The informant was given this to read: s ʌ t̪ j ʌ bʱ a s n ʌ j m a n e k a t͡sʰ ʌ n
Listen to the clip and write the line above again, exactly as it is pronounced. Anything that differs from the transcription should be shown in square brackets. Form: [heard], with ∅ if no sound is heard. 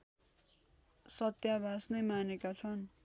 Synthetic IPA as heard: s ʌ t̪ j [a] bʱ a s n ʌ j m a n e k a t͡sʰ ʌ n